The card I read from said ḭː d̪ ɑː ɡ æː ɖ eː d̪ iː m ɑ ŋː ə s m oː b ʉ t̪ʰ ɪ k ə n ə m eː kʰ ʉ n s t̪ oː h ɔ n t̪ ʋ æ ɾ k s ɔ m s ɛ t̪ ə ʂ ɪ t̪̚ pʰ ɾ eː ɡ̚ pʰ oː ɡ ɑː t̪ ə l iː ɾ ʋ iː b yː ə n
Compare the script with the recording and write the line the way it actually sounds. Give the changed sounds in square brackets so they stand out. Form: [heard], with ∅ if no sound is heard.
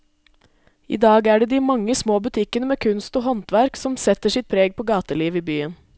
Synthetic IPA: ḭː d̪ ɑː ɡ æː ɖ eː d̪ iː m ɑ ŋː ə s m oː b ʉ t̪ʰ ɪ k ə n ə m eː kʰ ʉ n s t̪ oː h ɔ n t̪ ʋ æ ɾ k s ɔ m s ɛ t̪ ə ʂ ɪ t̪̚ pʰ ɾ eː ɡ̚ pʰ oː ɡ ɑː t̪ ə l iː [∅] ʋ iː b yː ə n